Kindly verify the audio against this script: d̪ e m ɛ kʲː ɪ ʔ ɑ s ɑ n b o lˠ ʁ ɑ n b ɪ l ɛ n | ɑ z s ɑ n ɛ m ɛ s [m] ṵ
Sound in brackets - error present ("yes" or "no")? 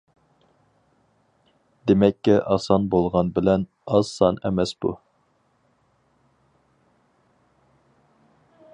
yes